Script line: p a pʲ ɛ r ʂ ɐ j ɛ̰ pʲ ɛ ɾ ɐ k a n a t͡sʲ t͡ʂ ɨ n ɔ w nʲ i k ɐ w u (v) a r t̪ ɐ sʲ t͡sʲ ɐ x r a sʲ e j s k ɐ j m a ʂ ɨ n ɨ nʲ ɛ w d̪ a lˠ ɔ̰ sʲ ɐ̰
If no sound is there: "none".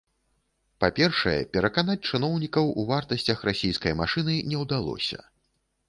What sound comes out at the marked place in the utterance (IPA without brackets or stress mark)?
v